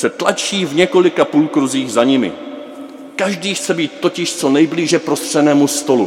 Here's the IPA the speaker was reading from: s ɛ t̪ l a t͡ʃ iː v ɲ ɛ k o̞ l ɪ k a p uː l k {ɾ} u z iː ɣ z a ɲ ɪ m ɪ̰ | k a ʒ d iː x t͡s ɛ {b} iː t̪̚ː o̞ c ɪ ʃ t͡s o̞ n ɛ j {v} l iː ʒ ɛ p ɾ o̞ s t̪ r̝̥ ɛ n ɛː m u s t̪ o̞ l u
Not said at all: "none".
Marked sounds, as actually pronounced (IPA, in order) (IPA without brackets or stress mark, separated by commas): ɾ, b, b